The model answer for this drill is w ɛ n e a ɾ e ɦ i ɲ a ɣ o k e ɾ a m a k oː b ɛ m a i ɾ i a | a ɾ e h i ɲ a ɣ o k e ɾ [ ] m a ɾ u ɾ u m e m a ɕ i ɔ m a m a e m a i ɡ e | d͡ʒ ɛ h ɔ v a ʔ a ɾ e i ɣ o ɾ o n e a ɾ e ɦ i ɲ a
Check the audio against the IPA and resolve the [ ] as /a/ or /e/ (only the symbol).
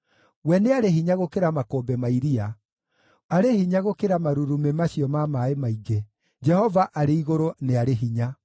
a